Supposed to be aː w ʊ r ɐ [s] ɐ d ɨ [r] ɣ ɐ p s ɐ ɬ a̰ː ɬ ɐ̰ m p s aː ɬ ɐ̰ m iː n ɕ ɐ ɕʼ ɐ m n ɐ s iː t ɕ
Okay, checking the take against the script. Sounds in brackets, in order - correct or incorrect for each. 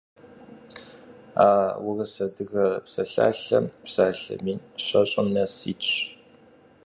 correct, incorrect: none

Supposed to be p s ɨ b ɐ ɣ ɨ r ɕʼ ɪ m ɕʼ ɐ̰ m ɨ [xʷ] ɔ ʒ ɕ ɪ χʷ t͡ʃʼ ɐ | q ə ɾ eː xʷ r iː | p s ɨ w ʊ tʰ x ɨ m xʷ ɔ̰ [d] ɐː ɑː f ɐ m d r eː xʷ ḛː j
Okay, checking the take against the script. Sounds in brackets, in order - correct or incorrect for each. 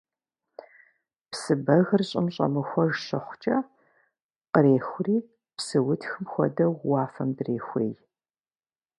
correct, correct

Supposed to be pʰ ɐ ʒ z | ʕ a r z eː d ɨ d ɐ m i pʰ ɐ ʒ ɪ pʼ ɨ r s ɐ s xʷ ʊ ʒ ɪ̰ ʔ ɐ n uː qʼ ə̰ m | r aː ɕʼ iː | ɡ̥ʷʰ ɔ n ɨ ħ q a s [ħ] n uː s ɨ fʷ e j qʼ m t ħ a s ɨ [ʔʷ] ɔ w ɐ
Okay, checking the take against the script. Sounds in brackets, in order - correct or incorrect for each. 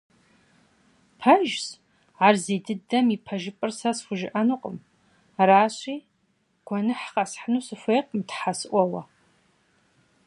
correct, correct

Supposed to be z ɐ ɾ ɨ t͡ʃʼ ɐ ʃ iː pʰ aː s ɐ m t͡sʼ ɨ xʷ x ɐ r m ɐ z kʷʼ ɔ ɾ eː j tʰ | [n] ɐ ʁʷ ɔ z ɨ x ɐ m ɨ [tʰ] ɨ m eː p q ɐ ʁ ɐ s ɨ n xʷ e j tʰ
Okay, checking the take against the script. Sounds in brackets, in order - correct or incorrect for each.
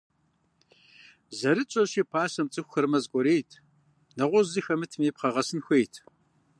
correct, correct

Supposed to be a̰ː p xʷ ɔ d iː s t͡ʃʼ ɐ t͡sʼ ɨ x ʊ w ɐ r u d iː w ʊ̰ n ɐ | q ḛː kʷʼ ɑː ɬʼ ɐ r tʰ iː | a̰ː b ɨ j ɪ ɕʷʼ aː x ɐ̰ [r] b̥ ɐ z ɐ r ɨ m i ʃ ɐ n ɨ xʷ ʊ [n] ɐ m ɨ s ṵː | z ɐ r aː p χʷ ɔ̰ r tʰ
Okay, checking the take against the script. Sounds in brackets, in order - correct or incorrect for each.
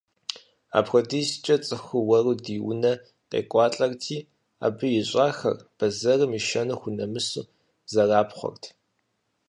correct, correct

